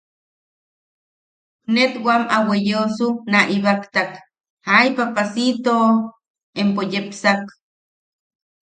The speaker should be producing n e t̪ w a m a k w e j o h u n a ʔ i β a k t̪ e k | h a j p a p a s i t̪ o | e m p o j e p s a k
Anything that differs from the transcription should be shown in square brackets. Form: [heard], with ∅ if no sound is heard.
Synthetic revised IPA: n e t̪ w a m a [∅] w e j o [s] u n a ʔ i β a k t̪ [a] k | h a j p a p a s i t̪ o | e m p o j e p s a k